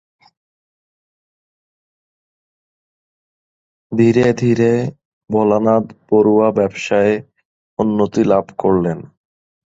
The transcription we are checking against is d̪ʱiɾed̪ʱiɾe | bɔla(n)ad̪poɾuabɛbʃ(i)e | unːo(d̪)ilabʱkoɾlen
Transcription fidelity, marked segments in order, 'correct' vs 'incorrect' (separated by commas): correct, incorrect, incorrect